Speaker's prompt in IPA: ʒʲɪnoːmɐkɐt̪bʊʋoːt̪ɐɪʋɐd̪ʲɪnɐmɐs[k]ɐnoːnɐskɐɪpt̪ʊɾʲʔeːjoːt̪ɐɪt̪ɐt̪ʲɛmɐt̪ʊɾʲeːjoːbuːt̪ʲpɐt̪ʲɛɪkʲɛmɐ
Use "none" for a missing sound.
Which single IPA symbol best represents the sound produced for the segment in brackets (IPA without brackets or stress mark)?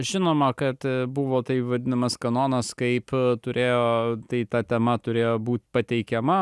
k